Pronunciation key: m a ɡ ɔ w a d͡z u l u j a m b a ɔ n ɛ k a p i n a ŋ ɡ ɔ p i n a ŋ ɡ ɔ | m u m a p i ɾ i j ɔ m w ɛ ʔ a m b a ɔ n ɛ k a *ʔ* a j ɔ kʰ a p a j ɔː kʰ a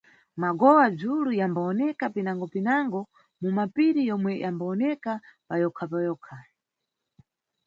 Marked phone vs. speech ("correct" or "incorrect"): incorrect